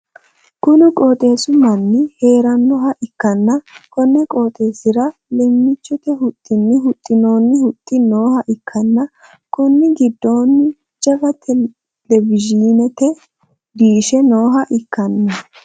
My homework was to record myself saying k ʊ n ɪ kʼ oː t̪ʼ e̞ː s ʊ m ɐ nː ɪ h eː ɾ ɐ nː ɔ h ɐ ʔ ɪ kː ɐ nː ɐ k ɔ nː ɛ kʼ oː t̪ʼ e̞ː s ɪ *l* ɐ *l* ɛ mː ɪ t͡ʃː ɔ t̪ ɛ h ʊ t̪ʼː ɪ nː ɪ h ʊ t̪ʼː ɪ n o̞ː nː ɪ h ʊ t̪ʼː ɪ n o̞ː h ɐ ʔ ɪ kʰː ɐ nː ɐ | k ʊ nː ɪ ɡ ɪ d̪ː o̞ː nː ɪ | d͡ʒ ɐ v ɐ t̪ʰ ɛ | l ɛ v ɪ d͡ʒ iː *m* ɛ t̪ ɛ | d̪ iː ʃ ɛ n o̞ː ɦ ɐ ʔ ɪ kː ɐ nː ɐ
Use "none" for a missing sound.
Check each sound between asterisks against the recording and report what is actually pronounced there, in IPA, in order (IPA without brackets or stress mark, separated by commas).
ɾ, l, n